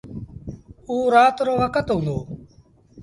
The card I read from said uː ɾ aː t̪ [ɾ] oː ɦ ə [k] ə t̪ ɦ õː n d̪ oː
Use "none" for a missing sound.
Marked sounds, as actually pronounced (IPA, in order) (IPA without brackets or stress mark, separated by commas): ɾ, k